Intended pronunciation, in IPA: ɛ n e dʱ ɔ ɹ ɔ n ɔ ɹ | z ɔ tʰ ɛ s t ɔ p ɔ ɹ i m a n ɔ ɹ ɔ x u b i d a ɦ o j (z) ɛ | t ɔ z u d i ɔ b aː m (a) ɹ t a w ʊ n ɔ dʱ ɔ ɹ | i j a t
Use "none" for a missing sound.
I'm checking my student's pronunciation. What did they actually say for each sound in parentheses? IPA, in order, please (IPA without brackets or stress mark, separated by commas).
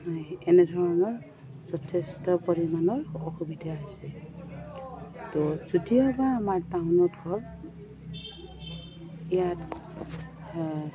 s, a